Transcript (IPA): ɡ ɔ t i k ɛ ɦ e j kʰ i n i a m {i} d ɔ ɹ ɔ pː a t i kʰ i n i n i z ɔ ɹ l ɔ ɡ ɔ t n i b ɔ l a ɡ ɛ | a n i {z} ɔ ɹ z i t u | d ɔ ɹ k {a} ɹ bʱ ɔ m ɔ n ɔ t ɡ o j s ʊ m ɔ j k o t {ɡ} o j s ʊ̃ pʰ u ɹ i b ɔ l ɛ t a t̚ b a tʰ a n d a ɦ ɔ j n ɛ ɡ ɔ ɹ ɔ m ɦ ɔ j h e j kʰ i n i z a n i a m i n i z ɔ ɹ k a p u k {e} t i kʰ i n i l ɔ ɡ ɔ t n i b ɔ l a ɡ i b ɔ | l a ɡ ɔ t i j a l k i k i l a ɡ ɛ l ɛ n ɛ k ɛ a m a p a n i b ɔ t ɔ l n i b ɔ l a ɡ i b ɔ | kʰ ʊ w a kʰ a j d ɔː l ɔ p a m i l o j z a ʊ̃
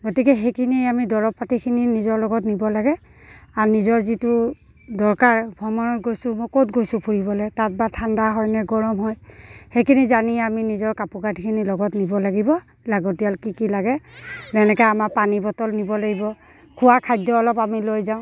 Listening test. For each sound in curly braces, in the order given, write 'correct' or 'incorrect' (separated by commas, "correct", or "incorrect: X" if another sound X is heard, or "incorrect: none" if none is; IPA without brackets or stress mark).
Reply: correct, correct, correct, correct, incorrect: a